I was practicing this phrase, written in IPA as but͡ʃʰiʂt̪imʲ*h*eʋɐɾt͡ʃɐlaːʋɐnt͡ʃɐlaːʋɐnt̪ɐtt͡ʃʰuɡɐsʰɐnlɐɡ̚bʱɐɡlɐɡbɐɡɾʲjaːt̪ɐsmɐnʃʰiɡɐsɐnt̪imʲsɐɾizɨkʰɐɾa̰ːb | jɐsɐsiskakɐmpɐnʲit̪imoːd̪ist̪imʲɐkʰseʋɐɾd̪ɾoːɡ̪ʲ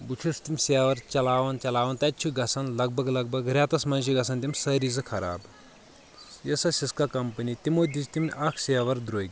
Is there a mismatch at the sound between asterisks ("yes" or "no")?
yes